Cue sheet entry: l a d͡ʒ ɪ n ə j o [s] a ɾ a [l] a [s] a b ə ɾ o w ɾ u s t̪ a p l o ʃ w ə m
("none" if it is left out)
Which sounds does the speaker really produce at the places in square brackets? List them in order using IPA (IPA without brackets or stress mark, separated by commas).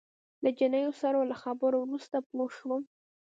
s, l, x